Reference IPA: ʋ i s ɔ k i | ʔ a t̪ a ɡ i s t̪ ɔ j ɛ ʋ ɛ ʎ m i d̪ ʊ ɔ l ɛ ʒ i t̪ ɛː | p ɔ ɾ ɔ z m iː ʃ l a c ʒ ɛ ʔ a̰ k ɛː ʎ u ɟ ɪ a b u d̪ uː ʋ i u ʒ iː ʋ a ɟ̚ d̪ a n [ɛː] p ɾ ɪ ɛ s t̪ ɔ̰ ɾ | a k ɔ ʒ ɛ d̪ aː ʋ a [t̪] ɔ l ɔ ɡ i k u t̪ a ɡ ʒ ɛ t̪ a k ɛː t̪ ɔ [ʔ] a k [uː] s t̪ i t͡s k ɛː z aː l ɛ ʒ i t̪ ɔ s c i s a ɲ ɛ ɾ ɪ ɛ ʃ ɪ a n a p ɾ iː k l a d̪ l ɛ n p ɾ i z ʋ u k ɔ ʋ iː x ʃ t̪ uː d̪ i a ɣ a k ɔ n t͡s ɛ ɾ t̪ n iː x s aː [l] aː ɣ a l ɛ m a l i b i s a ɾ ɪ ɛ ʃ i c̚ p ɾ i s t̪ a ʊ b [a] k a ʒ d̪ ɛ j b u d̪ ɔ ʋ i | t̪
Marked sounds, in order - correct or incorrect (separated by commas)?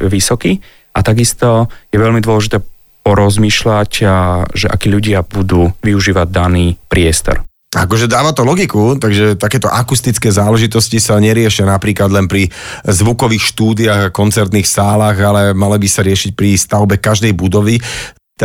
incorrect, correct, correct, incorrect, correct, incorrect